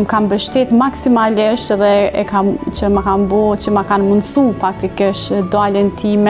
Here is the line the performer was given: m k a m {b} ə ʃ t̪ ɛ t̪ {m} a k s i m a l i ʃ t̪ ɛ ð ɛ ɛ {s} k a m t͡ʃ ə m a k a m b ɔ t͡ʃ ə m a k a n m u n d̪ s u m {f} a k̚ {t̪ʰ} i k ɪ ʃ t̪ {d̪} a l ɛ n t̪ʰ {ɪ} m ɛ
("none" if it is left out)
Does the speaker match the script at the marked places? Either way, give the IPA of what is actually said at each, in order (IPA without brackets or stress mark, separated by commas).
b, m, none, f, t̪, d̪, i